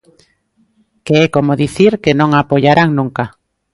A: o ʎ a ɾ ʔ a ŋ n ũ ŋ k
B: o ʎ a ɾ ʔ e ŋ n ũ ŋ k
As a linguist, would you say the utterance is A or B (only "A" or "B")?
A